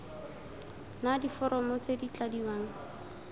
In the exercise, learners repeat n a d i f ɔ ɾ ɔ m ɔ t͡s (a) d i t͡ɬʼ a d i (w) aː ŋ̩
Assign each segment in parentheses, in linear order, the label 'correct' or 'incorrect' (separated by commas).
incorrect, correct